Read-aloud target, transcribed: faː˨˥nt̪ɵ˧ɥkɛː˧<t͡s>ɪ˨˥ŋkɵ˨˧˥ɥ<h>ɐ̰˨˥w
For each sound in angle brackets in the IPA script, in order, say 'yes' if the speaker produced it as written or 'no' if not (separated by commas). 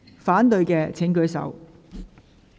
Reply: no, no